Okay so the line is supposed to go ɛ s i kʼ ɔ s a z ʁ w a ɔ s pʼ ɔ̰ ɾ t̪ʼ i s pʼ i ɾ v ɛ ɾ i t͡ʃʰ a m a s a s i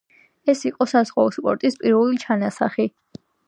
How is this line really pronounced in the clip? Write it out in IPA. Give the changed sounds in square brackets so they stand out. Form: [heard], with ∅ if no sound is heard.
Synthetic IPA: ɛ s i [qʼ] ɔ s a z ʁ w a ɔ s pʼ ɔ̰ ɾ t̪ʼ i s pʼ i ɾ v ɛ [l] i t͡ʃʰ a [n] a s a [χ] i